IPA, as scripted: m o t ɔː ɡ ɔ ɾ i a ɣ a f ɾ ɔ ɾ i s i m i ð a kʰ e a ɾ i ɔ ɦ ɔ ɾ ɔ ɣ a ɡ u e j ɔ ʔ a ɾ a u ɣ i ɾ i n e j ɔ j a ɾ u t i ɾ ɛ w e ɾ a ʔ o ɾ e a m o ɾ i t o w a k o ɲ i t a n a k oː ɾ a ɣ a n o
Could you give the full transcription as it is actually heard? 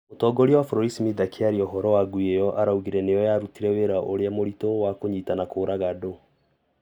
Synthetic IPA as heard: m o t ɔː ɡ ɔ ɾ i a w a f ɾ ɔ ɾ i s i m i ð a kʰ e a ɾ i ɔ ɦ ɔ ɾ ɔ w a ɡ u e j ɔ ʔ a ɾ a u ɣ i ɾ ɛ n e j ɔ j a ɾ u t i ɾ ɛ w e ɾ a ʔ o ɾ e a m o ɾ i t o w a k o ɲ i t a n a k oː ɾ a ɣ a d o